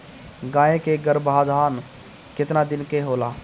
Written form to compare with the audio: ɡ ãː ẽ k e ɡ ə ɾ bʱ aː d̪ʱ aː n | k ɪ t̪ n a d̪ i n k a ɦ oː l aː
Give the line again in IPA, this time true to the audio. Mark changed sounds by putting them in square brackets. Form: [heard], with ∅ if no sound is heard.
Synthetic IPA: ɡ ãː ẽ k e ɡ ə ɾ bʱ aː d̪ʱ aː n | k ɪ t̪ n a d̪ [ɪ] n k [e] ɦ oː l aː